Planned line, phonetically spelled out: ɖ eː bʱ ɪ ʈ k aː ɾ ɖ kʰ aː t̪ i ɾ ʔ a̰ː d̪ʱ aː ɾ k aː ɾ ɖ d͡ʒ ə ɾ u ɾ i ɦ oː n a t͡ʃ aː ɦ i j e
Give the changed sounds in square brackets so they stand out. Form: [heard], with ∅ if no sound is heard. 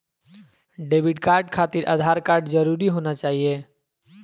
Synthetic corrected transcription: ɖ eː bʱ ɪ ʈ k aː ɾ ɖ kʰ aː t̪ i ɾ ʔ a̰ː d̪ʱ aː ɾ k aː ɾ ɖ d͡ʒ ə ɾ u ɾ i ɦ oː n a t͡ʃ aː ɦ i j e